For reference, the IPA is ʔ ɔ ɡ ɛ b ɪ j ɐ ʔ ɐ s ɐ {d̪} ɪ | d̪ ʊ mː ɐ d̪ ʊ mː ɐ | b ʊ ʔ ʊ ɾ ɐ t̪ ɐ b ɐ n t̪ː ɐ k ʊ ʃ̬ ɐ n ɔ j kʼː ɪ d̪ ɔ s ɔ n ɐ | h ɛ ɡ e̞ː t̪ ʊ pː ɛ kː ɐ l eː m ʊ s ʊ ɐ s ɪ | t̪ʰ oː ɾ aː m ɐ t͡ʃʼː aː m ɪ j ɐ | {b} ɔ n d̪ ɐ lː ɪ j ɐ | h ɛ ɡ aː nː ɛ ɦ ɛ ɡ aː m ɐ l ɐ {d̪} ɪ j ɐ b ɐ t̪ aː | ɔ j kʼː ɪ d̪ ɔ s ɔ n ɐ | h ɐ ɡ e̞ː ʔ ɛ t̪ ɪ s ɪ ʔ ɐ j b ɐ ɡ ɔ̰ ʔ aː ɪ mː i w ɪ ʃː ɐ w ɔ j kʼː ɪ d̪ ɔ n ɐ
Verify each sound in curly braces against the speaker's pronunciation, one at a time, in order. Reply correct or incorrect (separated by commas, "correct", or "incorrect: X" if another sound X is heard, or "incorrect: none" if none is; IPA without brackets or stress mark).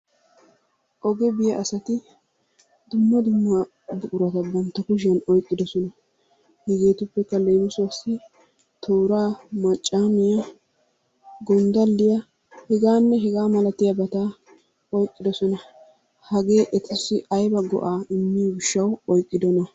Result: incorrect: t̪, incorrect: ɡ, incorrect: t̪